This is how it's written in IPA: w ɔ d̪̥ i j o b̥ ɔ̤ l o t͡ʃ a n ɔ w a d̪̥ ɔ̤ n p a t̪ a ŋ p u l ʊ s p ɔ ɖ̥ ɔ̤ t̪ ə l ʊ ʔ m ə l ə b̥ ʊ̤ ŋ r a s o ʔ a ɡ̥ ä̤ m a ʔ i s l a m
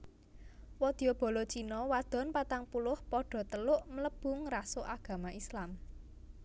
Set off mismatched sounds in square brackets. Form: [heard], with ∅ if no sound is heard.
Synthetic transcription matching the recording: w ɔ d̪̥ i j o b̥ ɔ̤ l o t͡ʃ [i] n ɔ w a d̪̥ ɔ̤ n p a t̪ a ŋ p u l ʊ [h] p ɔ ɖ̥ ɔ̤ t̪ ə l ʊ ʔ m ə l ə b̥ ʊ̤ ŋ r a s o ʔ a ɡ̥ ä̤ m a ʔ i s l a m